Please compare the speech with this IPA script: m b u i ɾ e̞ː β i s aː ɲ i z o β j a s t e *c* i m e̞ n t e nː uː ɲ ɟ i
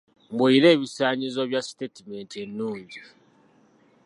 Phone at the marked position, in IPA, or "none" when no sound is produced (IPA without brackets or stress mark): t